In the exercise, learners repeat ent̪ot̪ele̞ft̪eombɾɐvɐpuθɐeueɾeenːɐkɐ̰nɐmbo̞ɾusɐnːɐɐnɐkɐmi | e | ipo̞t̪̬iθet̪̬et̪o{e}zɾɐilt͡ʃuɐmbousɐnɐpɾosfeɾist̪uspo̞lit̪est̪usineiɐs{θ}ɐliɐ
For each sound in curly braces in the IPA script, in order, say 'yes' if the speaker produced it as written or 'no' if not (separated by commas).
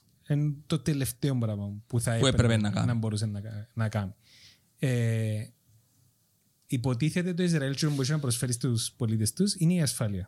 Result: no, no